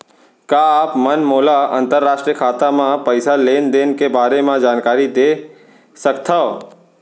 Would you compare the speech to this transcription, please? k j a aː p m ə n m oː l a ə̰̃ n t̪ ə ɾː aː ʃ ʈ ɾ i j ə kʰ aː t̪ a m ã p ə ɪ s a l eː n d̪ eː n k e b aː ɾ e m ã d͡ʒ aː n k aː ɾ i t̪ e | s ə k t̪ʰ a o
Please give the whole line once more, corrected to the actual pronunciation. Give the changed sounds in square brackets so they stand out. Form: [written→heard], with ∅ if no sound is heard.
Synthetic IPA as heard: k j a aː p m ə n m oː l a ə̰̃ n t̪ ə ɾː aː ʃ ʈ ɾ i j ə kʰ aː t̪ a m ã p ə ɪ s a l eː n d̪ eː n k e b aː ɾ e m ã d͡ʒ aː n k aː ɾ i [t̪→d̪] e | s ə k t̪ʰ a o